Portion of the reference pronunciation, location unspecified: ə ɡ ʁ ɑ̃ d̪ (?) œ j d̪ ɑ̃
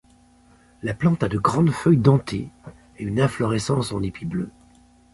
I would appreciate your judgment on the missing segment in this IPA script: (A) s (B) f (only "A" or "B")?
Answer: B